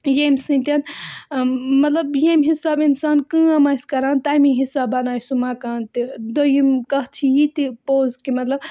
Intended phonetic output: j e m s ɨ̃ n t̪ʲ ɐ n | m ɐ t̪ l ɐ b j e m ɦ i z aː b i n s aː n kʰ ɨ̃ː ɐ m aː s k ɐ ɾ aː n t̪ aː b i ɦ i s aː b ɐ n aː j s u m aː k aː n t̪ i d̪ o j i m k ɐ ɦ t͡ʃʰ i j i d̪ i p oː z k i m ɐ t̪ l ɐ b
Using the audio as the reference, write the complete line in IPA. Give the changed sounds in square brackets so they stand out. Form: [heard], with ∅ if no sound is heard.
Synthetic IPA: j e m s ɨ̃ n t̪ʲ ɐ n | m ɐ t̪ l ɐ b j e m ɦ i [s] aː b i n s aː n [k] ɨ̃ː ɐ m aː s k ɐ ɾ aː n t̪ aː [m] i ɦ i s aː b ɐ n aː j s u m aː k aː n t̪ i d̪ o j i m k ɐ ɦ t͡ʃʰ i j i [t̪] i p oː z k i m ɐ t̪ l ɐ b